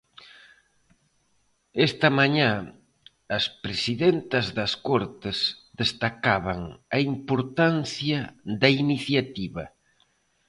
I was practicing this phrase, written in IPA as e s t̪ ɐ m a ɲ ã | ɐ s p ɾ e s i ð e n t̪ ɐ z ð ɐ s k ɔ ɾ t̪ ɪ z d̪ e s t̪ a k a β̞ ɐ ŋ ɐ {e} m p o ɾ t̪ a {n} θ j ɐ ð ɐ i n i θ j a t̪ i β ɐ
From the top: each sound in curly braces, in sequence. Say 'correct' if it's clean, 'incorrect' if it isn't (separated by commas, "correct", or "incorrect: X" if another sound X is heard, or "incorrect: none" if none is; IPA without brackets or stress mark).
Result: incorrect: i, correct